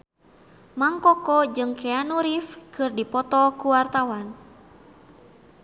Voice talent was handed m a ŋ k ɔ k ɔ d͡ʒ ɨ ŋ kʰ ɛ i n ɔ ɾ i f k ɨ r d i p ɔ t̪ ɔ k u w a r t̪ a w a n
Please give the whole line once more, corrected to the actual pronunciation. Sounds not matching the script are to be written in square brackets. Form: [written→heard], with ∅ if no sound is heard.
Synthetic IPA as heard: m a ŋ k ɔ k ɔ d͡ʒ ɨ ŋ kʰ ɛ [i→a] n [ɔ→u] ɾ i f k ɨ r d i p ɔ t̪ ɔ k u w a r t̪ a w a n